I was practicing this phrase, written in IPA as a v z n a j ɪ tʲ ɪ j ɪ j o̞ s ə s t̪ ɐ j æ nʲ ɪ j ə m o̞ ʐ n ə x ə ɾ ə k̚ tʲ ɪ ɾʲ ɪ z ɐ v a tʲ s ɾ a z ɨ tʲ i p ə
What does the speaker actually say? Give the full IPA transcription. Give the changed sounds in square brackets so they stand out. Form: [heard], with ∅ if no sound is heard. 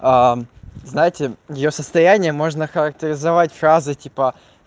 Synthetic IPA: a [∅] z n a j ɪ tʲ ɪ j ɪ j o̞ s ə s t̪ ɐ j æ nʲ ɪ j ə m o̞ ʐ n ə x ə ɾ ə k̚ tʲ ɪ ɾʲ ɪ z ɐ v a tʲ [f] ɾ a z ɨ tʲ i p ə